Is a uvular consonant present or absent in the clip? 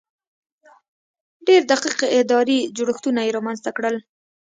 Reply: present